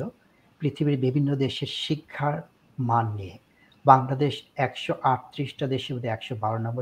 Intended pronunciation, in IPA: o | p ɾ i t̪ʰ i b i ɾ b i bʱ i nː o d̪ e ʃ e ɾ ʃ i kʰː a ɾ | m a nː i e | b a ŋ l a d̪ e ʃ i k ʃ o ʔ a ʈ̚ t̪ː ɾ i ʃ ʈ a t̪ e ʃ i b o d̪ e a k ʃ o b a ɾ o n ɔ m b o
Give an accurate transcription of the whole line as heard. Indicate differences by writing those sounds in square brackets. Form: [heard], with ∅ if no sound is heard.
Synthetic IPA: o | p ɾ i t̪ʰ i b i ɾ b i bʱ i nː o d̪ e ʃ e ɾ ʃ i kʰː a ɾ | m a nː i e | b a ŋ l a d̪ e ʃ [ɛ] k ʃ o ʔ a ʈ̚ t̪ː ɾ i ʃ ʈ a [d̪] e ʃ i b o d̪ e [ɛ] k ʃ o b a ɾ o n ɔ m b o